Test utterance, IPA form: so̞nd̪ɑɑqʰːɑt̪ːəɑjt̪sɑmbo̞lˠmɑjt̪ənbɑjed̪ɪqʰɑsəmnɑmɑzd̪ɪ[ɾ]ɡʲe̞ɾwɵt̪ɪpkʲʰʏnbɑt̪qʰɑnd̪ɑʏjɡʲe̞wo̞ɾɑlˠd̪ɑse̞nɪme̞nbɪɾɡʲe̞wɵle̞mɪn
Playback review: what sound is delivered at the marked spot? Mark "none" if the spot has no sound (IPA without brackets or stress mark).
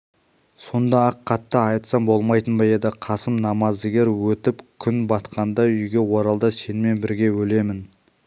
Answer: none